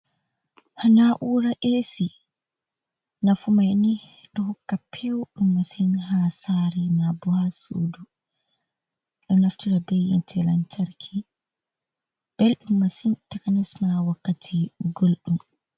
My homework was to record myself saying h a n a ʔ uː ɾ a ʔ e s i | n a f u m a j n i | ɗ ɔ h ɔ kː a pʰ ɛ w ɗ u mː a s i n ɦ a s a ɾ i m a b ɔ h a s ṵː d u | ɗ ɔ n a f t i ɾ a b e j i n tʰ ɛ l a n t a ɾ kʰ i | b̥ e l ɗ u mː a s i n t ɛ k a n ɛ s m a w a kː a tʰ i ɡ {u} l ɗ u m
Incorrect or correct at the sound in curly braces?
incorrect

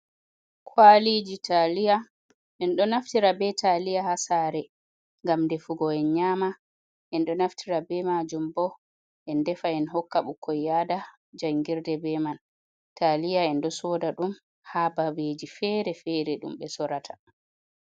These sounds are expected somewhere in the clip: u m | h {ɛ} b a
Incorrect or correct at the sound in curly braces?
incorrect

